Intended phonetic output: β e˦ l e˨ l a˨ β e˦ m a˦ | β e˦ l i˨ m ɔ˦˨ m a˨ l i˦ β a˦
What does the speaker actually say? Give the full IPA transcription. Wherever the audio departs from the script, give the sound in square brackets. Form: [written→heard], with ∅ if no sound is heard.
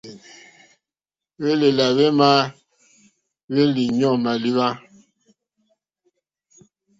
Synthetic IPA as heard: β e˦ l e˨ l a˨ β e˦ m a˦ | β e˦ l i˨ [m→ɲ] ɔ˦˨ m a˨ l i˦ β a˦

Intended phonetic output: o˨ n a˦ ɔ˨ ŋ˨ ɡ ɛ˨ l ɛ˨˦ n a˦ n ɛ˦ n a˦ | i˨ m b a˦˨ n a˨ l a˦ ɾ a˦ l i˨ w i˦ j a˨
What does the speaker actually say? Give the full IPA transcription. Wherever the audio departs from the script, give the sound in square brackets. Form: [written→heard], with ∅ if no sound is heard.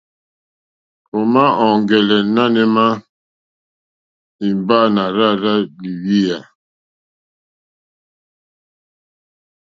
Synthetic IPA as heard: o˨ [n→m] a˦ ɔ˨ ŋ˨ ɡ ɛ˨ l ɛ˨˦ n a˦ n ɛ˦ [n→m] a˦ | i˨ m b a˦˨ n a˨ [l→ɾ] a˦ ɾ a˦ l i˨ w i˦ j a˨

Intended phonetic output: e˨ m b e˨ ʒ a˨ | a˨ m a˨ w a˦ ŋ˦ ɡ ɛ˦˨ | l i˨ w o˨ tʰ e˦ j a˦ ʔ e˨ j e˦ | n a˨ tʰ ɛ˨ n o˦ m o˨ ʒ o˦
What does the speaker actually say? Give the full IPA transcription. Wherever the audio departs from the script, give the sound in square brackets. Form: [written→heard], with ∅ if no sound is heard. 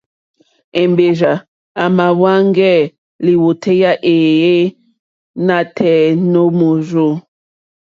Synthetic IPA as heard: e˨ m b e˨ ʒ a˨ | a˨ m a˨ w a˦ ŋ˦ ɡ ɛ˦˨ | l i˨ w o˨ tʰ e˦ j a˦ ʔ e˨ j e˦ | n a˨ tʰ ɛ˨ n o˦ m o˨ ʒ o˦

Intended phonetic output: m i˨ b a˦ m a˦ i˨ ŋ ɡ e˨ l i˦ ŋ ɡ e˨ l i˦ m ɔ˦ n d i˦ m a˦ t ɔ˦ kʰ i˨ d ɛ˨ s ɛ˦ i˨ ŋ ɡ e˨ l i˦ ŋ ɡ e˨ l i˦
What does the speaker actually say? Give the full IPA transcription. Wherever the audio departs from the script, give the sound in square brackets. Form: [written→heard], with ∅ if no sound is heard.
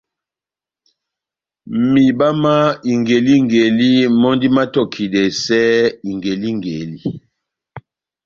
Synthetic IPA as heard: m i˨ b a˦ m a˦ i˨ ŋ ɡ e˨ l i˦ ŋ ɡ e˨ l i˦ m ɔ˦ n d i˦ m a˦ t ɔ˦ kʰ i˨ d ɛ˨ s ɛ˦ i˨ ŋ ɡ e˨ l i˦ ŋ ɡ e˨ l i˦

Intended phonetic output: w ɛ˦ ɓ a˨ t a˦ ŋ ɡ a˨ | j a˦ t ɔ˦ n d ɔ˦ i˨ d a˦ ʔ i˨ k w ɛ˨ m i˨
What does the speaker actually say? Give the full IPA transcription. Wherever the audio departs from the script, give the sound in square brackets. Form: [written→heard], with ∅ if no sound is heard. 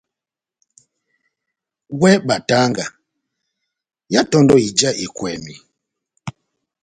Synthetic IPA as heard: w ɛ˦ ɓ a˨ t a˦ ŋ ɡ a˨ | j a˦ t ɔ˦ n d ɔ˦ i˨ [d→d͡ʒ] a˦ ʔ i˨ k w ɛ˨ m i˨

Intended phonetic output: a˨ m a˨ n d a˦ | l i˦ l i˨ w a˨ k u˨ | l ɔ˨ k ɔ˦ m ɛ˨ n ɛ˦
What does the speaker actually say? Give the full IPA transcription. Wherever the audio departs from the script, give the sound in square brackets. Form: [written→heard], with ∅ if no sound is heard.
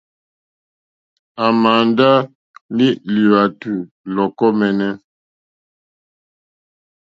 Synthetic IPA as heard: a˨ m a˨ n d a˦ | l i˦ l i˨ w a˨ [k→t] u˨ | l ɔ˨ k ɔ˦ m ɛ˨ n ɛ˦

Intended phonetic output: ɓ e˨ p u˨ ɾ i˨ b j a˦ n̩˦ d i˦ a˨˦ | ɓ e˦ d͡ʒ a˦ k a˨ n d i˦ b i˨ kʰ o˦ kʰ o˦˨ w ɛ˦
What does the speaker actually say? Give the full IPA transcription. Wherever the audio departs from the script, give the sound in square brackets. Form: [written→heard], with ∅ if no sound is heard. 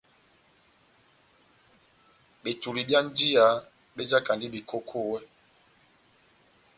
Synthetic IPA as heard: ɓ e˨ [p→t] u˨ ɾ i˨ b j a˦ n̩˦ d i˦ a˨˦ | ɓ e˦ d͡ʒ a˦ k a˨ n d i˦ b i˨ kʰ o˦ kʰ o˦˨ w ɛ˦

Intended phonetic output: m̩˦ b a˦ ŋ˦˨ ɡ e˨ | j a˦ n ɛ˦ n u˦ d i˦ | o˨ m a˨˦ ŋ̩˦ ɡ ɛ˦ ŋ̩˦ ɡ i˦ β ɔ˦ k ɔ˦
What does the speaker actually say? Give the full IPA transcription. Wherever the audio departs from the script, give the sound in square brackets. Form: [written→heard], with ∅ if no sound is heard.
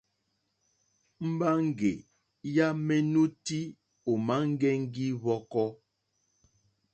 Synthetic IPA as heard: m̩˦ b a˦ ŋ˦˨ ɡ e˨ | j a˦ [n→m] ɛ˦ n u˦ [d→t] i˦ | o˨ m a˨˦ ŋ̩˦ ɡ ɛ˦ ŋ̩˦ ɡ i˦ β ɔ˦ k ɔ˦

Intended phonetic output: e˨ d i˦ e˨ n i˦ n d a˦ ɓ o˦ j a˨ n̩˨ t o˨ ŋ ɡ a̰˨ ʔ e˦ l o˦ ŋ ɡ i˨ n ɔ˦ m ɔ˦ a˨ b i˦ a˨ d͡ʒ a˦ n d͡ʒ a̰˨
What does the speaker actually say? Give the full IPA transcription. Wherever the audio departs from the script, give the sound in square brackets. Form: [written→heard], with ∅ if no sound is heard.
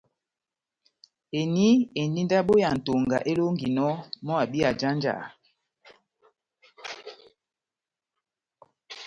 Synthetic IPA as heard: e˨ [d→n] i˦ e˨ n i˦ n d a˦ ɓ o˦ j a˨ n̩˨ t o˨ ŋ ɡ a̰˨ ʔ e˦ l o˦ ŋ ɡ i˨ n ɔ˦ m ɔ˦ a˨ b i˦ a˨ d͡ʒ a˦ n d͡ʒ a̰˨

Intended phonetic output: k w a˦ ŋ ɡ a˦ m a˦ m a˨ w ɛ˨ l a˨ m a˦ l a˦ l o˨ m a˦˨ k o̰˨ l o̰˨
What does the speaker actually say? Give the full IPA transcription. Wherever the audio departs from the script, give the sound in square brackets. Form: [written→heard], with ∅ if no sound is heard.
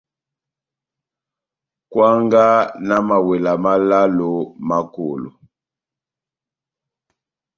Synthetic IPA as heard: k w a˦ ŋ ɡ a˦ [m→n] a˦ m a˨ w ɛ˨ l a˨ m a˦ l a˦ l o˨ m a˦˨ k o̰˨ l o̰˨

